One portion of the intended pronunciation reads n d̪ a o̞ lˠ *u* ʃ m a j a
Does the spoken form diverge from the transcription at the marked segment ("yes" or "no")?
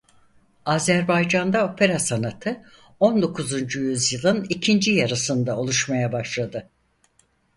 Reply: no